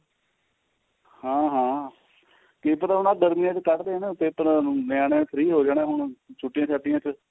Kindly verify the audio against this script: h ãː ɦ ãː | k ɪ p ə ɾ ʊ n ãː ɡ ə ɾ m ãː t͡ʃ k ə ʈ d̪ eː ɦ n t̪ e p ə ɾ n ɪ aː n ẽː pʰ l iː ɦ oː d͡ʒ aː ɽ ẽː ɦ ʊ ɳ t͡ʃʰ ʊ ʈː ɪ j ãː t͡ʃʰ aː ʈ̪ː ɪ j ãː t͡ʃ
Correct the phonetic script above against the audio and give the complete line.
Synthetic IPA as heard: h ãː ɦ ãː | k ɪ p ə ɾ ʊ n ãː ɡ ə ɾ m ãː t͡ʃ k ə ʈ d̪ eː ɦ n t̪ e p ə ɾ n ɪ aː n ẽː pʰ ɾ iː ɦ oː d͡ʒ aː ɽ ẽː ɦ ʊ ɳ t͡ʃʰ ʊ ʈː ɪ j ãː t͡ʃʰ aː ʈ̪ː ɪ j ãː t͡ʃ